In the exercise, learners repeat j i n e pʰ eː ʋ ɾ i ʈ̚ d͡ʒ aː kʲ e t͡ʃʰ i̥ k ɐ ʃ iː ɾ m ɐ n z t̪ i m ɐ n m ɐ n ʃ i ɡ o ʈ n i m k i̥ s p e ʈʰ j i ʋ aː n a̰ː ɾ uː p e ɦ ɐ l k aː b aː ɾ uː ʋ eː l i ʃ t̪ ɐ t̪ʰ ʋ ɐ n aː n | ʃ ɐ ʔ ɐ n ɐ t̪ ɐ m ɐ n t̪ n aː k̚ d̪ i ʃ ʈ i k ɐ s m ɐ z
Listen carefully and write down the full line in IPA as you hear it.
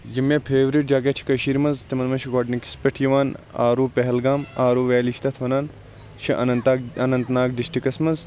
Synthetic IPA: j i m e pʰ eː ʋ ɾ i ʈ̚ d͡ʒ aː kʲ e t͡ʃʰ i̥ k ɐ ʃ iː ɾ m ɐ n z t̪ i m ɐ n m ɐ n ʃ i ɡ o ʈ n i k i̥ s p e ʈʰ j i ʋ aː n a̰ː ɾ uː p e ɦ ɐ l ɡ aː m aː ɾ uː ʋ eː l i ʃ t̪ ɐ t̪ʰ ʋ ɐ n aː n | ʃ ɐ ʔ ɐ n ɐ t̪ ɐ n ɐ n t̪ n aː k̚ d̪ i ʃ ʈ i k ɐ s m ɐ z